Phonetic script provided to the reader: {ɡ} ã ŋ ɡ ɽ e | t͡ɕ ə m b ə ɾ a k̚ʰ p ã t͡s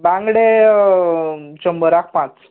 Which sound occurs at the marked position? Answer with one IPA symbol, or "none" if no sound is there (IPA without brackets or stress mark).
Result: b